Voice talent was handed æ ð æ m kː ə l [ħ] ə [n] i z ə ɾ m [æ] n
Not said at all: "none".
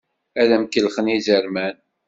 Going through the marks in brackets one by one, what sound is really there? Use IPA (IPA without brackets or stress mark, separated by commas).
χ, n, æ